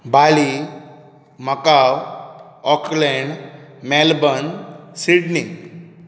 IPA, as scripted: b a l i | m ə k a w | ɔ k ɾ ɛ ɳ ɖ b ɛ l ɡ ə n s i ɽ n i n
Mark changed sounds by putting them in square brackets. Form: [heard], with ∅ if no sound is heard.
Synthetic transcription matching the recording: b a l i | m ə k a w | ɔ k [l] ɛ ɳ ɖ [m] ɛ l [b] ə n s i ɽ n i [ŋ]